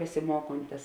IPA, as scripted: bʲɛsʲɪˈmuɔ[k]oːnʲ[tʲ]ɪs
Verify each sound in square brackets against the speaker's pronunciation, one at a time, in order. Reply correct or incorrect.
correct, correct

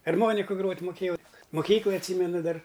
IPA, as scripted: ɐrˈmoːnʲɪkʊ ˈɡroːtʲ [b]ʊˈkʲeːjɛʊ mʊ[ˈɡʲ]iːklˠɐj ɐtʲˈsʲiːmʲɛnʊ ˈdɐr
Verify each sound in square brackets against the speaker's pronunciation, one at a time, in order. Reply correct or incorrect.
incorrect, incorrect

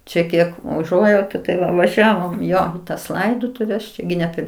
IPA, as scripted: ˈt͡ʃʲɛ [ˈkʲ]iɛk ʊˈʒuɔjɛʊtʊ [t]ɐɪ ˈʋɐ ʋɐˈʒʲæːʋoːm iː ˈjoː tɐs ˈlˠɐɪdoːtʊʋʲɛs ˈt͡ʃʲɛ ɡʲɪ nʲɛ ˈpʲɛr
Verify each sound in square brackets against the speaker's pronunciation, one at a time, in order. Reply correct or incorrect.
correct, correct

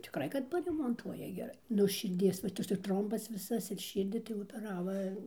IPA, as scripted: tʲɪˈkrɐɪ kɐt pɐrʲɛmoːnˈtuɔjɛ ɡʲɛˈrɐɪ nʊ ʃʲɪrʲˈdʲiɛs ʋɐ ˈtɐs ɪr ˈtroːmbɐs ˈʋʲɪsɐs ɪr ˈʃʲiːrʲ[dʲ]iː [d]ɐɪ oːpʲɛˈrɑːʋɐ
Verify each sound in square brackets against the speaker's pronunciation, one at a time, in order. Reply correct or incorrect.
correct, incorrect

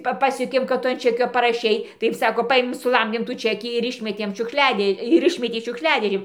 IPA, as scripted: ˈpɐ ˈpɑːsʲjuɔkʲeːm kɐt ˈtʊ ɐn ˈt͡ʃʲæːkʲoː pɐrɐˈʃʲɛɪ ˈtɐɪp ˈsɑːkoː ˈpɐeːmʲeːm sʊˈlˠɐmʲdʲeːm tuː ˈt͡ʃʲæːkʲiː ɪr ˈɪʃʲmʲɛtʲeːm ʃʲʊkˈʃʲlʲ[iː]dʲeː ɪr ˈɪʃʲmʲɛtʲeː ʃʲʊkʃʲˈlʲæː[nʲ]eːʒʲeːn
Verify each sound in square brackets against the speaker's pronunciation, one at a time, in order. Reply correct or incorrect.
incorrect, incorrect

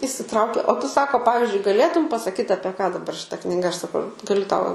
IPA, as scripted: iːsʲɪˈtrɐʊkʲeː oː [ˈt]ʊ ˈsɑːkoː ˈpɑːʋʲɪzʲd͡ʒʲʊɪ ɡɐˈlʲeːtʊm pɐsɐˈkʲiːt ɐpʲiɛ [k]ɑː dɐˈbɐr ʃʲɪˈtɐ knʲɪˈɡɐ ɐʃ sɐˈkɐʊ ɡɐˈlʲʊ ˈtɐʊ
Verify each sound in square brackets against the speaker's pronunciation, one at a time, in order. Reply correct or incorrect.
correct, correct

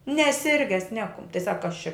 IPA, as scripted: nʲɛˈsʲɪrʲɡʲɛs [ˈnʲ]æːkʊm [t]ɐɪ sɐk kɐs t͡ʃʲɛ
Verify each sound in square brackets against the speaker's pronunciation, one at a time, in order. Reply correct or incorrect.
correct, correct

